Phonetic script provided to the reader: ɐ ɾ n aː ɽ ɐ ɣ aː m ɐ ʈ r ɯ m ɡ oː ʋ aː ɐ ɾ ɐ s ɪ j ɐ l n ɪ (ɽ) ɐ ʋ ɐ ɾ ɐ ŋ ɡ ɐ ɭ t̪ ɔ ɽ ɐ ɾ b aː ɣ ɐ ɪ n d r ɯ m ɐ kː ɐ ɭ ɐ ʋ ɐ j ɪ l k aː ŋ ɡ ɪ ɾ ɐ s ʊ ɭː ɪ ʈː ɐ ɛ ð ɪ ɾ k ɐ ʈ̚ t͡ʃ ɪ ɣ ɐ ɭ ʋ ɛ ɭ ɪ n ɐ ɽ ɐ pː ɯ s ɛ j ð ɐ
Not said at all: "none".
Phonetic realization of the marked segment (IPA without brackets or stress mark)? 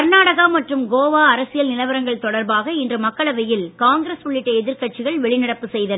l